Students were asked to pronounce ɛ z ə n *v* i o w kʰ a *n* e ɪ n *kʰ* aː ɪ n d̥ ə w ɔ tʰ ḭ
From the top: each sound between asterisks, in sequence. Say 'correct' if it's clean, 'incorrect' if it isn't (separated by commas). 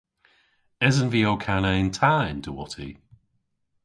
correct, correct, incorrect